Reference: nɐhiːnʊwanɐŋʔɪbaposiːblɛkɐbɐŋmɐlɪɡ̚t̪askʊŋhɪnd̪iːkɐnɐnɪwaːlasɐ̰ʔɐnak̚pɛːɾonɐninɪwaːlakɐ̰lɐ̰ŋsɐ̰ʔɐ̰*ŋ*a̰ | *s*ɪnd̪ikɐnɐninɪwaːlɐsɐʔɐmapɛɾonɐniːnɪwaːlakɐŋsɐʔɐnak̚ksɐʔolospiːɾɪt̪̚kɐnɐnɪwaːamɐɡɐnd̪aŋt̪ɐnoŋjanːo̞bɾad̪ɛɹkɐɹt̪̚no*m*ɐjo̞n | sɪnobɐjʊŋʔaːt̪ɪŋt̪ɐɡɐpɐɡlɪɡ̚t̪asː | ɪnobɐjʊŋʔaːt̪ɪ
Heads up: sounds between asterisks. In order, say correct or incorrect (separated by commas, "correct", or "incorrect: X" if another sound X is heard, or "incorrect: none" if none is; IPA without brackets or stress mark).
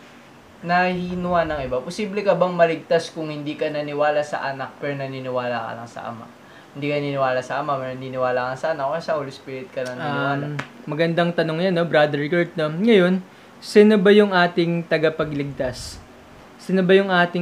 incorrect: m, incorrect: h, incorrect: ŋ